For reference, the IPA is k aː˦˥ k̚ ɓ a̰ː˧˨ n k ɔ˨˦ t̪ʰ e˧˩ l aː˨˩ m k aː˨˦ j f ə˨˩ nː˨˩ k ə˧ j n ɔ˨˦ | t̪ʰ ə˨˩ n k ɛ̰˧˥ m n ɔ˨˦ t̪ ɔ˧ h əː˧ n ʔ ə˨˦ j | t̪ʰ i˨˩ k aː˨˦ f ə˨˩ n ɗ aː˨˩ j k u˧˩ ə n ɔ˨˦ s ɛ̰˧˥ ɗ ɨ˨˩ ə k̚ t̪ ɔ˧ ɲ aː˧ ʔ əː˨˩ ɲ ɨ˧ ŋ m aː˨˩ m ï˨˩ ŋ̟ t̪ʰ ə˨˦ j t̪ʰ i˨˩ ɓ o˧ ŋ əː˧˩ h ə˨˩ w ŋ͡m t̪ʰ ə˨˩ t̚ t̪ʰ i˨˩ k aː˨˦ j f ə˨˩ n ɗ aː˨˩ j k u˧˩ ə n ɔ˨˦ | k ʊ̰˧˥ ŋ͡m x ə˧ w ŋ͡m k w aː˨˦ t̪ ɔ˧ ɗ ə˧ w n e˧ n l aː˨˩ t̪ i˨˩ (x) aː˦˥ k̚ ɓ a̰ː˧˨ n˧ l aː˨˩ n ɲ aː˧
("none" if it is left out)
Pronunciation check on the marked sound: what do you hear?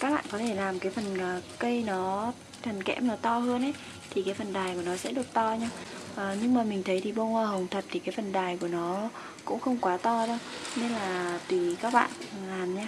k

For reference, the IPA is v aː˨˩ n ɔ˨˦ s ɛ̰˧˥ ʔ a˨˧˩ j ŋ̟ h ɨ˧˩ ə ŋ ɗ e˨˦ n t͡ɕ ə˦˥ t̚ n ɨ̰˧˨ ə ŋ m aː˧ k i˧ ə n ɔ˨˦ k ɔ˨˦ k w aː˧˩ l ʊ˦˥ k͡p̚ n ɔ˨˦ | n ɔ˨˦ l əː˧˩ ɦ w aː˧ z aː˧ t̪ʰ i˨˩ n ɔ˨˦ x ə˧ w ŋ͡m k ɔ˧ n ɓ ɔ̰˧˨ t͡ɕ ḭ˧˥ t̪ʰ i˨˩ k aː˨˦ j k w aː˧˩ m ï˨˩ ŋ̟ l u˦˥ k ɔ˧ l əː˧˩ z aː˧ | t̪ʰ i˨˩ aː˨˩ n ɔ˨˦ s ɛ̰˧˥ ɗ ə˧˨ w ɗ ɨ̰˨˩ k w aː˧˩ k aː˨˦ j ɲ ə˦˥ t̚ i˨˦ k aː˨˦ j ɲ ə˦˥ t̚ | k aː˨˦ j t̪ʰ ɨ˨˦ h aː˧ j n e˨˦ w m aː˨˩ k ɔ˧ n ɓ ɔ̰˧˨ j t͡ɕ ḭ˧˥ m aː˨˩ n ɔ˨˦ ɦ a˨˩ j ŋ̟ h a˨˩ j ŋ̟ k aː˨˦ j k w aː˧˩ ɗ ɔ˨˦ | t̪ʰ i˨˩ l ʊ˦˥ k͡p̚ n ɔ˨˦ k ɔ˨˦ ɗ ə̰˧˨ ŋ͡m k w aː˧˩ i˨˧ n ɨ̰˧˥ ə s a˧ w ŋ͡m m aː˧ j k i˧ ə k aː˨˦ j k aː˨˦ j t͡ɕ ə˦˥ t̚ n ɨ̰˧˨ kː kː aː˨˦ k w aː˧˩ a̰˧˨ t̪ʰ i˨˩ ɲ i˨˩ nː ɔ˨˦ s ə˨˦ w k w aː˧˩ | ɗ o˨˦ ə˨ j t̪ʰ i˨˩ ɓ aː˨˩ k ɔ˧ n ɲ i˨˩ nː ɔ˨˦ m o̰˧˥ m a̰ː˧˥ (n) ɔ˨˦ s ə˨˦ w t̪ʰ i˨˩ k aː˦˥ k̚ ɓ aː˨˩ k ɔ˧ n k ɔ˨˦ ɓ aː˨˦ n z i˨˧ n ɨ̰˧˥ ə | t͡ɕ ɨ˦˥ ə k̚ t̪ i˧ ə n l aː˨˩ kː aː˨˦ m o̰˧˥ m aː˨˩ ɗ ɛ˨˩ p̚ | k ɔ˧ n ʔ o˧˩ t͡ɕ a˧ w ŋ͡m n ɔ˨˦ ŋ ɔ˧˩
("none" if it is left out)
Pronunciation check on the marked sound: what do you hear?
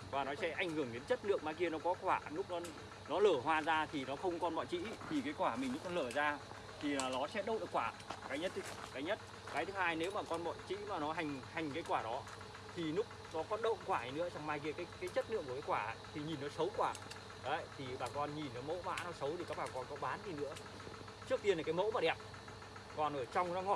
n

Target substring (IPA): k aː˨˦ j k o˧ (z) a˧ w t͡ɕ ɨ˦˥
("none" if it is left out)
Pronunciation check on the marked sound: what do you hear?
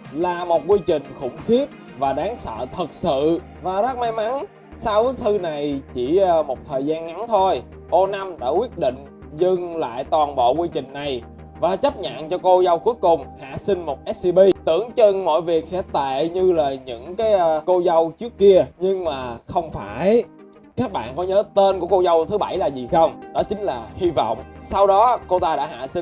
z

